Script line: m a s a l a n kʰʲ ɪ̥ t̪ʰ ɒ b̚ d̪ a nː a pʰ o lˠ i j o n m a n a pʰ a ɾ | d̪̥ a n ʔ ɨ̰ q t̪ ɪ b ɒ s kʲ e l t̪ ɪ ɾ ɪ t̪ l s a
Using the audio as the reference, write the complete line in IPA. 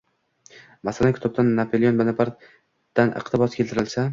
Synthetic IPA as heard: m a s a l a n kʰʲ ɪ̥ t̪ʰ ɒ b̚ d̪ a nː a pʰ o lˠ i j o n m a n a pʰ a ɾ | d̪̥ a n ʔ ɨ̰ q t̪ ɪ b ɒ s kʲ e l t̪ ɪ ɾ ɪ l s a